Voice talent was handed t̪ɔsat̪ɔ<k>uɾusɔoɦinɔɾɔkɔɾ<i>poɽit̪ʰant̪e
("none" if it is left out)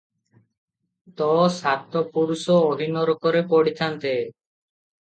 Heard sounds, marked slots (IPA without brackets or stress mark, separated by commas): p, e